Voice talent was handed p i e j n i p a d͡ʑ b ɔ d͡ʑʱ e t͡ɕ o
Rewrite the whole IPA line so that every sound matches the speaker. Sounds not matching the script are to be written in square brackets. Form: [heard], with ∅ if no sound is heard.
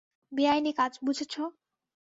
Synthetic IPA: [b] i [a] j n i [k] a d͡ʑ b [u] d͡ʑʱ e [t͡ɕʰ] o